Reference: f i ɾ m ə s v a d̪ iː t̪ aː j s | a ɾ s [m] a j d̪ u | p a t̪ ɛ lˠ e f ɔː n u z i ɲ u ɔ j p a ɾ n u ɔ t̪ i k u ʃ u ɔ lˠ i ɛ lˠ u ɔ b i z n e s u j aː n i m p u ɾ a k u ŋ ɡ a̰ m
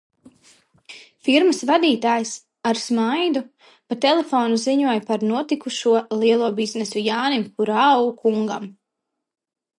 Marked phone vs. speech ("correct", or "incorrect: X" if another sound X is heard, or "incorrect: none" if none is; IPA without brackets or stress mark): correct